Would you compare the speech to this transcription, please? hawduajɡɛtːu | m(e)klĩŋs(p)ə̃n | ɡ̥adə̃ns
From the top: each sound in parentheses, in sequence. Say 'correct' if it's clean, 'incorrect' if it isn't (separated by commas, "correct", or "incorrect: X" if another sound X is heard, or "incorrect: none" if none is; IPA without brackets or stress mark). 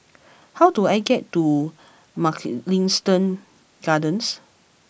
incorrect: a, incorrect: t